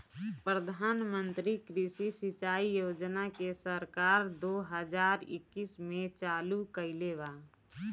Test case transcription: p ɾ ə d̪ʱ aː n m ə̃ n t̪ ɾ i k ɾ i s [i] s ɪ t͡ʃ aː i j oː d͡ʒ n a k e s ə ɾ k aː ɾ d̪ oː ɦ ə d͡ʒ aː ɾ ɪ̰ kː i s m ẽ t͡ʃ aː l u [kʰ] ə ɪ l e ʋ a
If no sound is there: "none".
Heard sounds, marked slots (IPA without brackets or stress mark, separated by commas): i, k